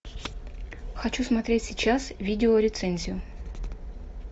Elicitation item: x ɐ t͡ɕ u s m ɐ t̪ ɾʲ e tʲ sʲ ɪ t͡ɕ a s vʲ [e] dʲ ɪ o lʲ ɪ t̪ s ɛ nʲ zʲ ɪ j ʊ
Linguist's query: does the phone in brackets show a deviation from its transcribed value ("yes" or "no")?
yes